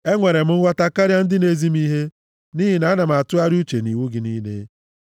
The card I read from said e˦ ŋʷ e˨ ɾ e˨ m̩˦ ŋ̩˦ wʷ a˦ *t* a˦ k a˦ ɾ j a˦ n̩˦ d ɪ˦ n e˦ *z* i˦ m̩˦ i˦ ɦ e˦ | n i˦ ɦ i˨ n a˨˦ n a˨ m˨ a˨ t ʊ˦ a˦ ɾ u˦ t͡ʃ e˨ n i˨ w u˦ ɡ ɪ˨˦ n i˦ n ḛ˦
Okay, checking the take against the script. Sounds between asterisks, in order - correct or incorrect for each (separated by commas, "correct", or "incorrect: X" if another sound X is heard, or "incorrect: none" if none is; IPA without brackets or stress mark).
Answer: correct, correct